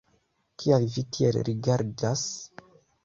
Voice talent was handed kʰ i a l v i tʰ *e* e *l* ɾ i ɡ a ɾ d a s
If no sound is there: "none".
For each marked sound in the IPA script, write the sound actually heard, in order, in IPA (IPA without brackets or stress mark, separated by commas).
i, l